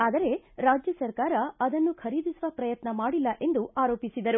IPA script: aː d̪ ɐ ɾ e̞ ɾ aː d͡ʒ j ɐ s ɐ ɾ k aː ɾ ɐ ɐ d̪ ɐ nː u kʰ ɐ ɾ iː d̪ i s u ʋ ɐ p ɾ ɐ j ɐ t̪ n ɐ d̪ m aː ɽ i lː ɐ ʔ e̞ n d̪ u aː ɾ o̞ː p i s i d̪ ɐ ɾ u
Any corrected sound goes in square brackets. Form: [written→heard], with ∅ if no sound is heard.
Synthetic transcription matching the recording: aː d̪ ɐ ɾ e̞ ɾ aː d͡ʒ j ɐ s ɐ ɾ k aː ɾ ɐ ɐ d̪ ɐ nː u kʰ ɐ ɾ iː d̪ i s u ʋ ɐ p ɾ ɐ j ɐ t̪ n ɐ [d̪→∅] m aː ɽ i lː ɐ ʔ e̞ n d̪ u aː ɾ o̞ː p i s i d̪ ɐ ɾ u